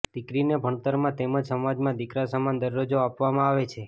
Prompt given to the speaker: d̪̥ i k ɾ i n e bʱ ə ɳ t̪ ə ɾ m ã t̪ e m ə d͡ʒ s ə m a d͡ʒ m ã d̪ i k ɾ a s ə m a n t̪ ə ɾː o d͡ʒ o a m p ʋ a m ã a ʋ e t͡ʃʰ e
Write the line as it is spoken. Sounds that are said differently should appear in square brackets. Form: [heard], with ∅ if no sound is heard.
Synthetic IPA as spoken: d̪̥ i k ɾ i n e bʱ ə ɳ t̪ ə ɾ m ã t̪ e m ə d͡ʒ s ə m a d͡ʒ m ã d̪ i k ɾ a s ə m a n [d̪] ə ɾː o d͡ʒ o a [∅] p ʋ a m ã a ʋ e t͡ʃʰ e